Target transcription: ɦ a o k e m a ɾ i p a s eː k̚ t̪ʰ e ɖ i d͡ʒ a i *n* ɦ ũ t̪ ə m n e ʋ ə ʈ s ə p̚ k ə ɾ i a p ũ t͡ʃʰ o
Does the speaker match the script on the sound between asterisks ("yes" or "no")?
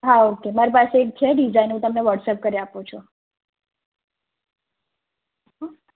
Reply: yes